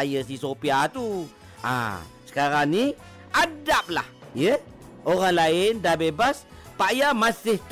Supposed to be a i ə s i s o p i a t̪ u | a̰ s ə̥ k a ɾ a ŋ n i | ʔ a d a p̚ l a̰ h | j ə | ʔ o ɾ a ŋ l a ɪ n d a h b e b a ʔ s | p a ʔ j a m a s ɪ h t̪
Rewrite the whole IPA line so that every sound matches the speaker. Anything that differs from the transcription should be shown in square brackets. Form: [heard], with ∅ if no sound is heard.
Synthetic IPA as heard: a [j] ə s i s o p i a t̪ u | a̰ s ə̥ k a ɾ a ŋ n i | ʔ a d a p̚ l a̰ h | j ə | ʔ o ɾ a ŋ l a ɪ n d a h b e b a [∅] s | p a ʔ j a m a s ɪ h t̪